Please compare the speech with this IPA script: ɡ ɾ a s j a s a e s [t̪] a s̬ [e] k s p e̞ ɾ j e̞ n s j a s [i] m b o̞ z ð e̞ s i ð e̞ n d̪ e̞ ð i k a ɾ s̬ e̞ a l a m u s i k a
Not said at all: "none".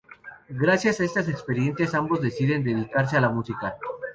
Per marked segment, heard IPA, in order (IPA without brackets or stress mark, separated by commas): t̪, e, a